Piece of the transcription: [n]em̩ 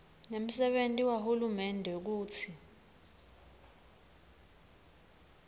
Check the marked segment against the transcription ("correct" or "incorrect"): correct